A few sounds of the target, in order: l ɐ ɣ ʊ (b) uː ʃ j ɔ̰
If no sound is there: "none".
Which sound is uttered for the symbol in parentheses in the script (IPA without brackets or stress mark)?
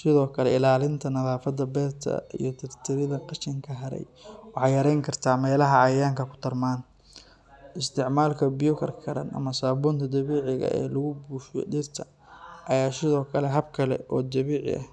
b